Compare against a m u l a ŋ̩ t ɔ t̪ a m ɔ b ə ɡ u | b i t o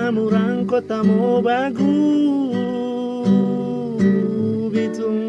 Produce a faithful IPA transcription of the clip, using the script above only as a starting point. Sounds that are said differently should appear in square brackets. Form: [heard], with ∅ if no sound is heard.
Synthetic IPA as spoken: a m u [ɾ] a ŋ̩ [k] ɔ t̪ a m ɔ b [a] ɡ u | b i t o

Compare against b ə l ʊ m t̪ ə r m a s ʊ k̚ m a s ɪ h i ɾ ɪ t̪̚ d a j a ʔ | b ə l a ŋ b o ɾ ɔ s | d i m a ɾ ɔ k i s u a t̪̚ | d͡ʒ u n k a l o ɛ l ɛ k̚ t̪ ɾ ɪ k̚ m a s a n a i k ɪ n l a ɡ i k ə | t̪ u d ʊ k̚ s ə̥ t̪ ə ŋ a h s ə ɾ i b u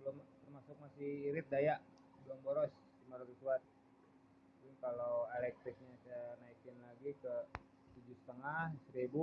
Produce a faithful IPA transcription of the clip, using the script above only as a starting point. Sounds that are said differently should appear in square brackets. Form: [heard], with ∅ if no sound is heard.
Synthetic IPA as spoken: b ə l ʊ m t̪ ə r m a s ʊ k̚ m a s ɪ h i ɾ ɪ t̪̚ d a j a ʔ | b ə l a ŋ b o ɾ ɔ s | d i m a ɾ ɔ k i s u a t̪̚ | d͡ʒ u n k a l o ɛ l ɛ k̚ t̪ ɾ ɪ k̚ [ɲ] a s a n a i k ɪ n l a ɡ i k ə | t̪ u [d͡ʒ] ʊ [∅] s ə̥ t̪ ə ŋ a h s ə ɾ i b u

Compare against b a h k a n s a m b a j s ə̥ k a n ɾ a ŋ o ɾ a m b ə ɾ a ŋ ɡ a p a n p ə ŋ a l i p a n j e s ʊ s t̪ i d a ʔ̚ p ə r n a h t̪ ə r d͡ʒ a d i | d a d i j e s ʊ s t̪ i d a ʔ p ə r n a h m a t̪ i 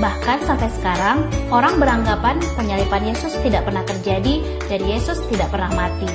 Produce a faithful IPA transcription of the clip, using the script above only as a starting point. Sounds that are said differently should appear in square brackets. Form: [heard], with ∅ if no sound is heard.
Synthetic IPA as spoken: b a h k a n s a m [p] a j s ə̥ k a [∅] ɾ a ŋ o ɾ a [ŋ] b ə ɾ a ŋ ɡ a p a n p ə [ɲ] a l i p a n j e s ʊ s t̪ i d a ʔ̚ p ə r n a h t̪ ə r d͡ʒ a d i | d a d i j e s ʊ s t̪ i d a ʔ p ə r n a h m a t̪ i

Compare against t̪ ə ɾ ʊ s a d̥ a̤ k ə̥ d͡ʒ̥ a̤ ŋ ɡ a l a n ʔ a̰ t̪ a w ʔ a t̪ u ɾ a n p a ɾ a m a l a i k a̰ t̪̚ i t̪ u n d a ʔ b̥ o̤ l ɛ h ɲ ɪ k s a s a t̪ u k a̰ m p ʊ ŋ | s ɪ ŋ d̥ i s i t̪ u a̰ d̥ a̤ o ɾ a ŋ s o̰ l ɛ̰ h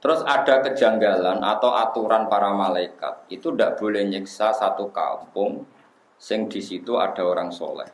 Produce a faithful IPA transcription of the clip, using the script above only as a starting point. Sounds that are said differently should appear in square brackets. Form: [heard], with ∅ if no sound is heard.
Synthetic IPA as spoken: t̪ ə ɾ ʊ s a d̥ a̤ k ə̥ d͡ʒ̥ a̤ ŋ ɡ a l a n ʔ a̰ t̪ a w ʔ a t̪ u ɾ a n p a ɾ a m a l a i k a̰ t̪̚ i t̪ u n d a ʔ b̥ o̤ l ɛ h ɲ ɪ k s a s a t̪ u k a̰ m p ʊ ŋ | s ɪ ŋ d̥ i s i t̪ u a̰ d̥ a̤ o ɾ a ŋ s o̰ l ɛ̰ h

